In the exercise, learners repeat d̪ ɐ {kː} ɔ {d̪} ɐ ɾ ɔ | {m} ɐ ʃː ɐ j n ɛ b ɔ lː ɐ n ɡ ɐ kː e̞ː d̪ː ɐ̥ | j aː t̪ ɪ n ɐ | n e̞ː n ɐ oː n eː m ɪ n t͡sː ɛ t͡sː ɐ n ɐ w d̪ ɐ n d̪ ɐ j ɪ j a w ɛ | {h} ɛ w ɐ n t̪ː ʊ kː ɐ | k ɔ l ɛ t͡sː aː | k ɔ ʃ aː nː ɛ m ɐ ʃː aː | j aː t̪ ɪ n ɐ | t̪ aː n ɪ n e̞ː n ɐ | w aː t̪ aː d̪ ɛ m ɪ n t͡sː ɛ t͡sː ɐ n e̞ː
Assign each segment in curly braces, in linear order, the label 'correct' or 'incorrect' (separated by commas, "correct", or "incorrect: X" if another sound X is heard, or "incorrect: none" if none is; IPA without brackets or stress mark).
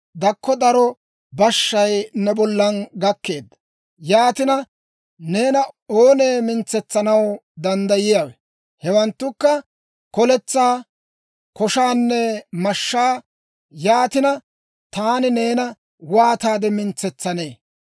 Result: correct, correct, incorrect: b, correct